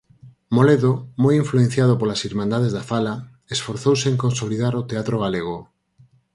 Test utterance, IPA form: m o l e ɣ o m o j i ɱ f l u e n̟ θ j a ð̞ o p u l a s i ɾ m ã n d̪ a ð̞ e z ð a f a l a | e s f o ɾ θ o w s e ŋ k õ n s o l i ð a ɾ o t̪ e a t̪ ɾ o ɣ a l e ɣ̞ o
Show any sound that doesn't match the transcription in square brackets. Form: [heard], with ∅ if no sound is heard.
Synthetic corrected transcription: m o l e [ð] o m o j i ɱ f l u e n̟ θ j a ð̞ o p [o] l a s i ɾ m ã n d̪ a ð̞ e z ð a f a l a | e s f o ɾ θ o w s e ŋ k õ n s o l i ð a ɾ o t̪ e a t̪ ɾ o ɣ a l e ɣ̞ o